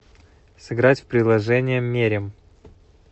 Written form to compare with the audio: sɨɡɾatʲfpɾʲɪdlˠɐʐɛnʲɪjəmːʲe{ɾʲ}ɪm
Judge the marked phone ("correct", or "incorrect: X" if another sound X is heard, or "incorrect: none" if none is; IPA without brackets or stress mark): correct